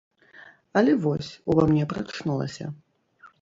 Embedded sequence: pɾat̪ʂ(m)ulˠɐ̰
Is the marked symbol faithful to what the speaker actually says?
no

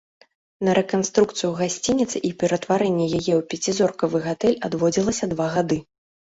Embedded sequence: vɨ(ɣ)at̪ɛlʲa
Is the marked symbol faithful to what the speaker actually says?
yes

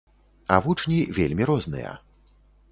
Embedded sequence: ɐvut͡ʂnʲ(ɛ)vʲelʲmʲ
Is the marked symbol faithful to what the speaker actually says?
no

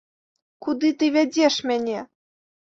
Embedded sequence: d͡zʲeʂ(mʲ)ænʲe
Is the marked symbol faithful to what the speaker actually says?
yes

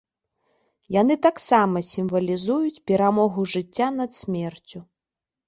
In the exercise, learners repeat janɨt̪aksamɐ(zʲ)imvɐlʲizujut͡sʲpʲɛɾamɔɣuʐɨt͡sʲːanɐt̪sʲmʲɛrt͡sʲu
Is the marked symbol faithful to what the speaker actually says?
no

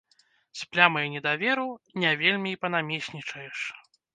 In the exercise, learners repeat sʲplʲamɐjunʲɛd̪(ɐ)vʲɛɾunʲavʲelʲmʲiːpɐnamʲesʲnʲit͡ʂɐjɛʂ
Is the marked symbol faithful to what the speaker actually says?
no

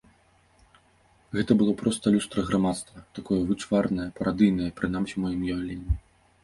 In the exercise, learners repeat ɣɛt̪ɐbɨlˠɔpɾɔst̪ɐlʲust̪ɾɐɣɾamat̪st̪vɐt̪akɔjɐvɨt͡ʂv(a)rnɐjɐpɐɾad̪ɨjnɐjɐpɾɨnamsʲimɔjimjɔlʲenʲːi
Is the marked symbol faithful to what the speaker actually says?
yes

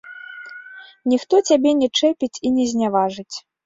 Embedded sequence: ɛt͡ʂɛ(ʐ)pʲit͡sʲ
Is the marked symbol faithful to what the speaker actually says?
no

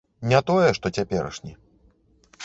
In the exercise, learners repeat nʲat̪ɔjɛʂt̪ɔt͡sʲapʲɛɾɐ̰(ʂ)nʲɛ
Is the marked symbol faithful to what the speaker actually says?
yes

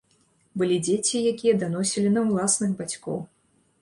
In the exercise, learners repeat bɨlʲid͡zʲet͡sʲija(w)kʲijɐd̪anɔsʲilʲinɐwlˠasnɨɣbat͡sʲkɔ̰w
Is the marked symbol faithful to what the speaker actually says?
no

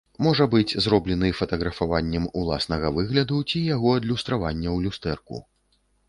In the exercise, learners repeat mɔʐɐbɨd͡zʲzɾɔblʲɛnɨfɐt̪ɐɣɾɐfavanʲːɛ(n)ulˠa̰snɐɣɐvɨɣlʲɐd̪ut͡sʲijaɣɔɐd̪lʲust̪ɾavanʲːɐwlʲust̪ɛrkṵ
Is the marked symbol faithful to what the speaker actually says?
no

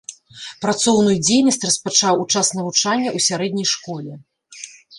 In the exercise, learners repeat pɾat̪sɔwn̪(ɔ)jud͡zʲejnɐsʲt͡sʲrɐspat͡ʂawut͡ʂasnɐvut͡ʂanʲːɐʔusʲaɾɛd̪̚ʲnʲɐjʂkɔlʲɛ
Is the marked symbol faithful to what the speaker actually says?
no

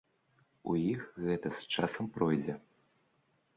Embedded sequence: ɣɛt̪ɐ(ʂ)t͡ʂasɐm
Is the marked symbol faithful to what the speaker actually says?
no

